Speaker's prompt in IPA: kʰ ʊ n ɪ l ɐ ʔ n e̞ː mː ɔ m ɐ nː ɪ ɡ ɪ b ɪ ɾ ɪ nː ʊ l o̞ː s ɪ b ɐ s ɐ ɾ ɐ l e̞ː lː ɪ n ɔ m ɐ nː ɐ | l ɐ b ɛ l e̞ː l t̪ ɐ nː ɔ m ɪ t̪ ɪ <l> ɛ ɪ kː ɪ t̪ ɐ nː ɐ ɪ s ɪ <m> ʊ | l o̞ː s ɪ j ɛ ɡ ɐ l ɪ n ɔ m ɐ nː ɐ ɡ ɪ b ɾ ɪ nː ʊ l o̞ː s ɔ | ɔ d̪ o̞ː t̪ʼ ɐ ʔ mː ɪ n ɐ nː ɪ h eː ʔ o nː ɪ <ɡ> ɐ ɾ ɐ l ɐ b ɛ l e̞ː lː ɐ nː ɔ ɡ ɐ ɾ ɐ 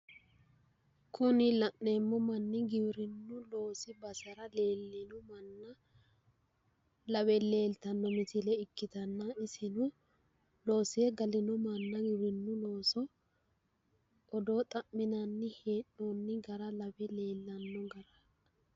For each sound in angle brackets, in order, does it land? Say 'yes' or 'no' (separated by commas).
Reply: yes, no, yes